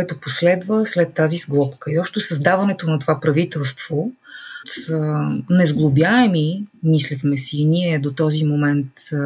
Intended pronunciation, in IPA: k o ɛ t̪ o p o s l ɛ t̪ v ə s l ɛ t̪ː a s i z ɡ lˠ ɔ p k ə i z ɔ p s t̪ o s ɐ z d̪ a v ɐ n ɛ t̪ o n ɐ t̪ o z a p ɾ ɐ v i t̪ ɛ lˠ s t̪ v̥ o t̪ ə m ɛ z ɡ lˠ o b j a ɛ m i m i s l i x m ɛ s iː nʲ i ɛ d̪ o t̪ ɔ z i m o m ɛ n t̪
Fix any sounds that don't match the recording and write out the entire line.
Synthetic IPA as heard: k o ɛ t̪ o p o s l ɛ d̪ v ə s l ɛ t̪ː a z i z ɡ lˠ ɔ p k ə i z ɔ p ʃ t̪ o s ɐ z d̪ a v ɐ n ɛ t̪ o n ɐ t̪ o v a p ɾ ɐ v i t̪ ɛ lˠ s t̪ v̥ o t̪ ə n ɛ z ɡ lˠ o b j a ɛ m i m i s l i x m ɛ s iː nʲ i ɛ d̪ o t̪ ɔ z i m o m ɛ n t̪